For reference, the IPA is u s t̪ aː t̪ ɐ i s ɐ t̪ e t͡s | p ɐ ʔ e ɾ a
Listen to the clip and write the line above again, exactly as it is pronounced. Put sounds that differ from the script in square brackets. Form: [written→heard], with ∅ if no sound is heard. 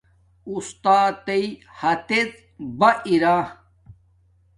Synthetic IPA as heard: u s t̪ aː t̪ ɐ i [s→h] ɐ t̪ e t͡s | [p→b] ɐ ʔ [e→i] ɾ a